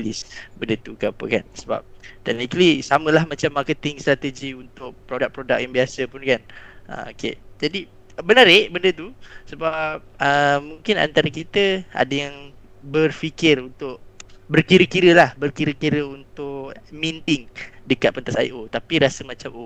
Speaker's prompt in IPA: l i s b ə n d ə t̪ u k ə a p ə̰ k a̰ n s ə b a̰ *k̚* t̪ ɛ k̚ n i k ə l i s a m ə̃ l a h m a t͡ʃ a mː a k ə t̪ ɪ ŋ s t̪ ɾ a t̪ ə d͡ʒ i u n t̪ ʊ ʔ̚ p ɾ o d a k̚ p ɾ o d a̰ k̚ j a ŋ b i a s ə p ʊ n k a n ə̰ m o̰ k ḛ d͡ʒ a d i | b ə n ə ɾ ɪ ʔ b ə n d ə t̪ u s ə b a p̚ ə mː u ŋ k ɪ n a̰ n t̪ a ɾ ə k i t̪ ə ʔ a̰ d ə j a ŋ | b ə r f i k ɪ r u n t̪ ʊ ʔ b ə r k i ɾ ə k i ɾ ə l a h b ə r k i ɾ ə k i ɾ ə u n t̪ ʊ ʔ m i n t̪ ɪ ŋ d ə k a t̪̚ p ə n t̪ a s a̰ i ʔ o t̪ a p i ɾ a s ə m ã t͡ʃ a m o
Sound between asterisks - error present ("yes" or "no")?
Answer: yes